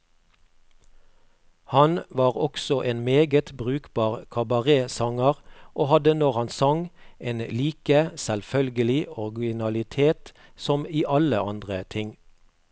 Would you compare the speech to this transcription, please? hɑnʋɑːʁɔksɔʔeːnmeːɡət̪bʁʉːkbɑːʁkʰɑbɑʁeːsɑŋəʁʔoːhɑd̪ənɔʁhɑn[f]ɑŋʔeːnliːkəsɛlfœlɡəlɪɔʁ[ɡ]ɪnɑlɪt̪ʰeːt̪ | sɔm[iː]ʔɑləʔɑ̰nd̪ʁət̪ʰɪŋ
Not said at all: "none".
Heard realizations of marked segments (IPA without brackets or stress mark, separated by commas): s, ɡ, iː